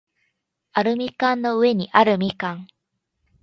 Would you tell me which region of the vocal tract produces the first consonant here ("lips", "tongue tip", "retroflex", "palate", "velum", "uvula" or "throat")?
tongue tip